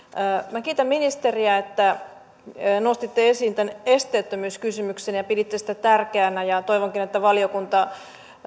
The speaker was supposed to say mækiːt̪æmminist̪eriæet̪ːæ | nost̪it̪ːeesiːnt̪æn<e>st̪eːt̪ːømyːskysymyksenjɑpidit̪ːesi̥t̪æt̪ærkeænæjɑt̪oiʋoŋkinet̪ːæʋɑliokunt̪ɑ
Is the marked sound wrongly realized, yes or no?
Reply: no